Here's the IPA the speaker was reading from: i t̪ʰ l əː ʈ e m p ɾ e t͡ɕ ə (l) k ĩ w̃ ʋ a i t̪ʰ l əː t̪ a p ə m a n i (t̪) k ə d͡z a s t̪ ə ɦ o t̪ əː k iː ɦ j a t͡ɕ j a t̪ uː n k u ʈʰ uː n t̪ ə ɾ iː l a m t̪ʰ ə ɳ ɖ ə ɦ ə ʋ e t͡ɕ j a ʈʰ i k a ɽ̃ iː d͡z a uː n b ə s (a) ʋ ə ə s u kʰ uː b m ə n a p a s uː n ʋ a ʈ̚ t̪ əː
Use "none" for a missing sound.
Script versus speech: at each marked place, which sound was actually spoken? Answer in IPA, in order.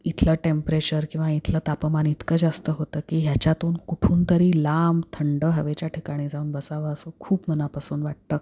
ɾ, t̪, a

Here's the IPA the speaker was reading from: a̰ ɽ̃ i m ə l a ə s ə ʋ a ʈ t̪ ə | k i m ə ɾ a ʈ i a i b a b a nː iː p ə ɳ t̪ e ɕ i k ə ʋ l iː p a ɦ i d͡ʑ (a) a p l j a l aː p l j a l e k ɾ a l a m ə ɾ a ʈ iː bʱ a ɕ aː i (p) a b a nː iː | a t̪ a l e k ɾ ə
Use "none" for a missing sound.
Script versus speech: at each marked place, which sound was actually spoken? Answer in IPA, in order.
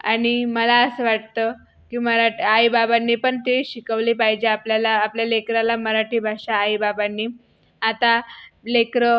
e, b

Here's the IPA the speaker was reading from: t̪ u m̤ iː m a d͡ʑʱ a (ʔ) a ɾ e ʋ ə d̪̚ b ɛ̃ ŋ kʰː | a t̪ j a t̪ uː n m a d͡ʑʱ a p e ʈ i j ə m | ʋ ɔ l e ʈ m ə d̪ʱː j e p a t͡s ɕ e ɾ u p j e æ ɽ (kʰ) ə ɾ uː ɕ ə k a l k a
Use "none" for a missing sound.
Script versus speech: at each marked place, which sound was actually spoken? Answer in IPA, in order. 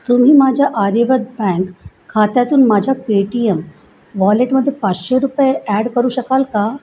ʔ, k

